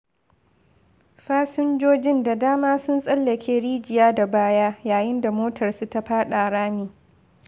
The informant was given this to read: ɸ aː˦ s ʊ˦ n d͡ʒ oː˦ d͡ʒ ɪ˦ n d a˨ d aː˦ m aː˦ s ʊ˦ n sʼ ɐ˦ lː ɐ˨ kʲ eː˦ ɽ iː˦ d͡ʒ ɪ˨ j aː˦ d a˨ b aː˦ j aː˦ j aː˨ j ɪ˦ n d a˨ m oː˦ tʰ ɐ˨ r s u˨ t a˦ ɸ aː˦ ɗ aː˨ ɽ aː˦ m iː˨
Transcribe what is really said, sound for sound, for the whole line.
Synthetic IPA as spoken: ɸ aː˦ s ʊ˦ n d͡ʒ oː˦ d͡ʒ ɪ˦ n d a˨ d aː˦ m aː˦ s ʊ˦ n sʼ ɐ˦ lː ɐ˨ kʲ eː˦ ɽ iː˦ d͡ʒ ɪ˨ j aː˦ d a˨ b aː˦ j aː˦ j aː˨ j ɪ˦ n d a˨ m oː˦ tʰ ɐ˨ r s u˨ t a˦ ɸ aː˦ ɗ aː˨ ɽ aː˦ m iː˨